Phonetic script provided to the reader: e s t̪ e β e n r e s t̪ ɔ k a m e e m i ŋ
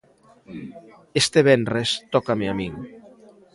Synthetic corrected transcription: e s t̪ e β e n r e s t̪ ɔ k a m e a m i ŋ